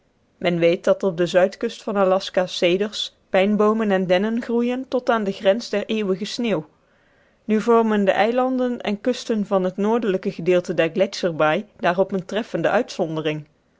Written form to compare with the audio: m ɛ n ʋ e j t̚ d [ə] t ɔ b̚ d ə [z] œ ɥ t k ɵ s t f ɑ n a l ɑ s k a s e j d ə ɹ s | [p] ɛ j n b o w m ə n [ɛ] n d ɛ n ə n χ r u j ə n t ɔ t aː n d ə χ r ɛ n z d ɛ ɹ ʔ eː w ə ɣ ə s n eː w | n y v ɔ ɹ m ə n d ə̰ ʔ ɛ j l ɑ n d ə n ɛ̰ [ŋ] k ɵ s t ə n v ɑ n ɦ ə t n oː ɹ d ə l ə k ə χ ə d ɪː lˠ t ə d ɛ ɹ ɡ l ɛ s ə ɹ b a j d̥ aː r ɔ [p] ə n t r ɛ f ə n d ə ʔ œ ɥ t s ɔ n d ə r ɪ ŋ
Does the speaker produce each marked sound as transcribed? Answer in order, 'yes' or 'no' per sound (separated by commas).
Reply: no, yes, yes, yes, no, yes